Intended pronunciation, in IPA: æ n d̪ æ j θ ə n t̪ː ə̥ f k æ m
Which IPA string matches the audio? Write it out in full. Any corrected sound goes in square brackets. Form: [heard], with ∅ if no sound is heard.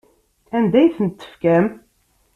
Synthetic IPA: æ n d̪ æ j θ ə n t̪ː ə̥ f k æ m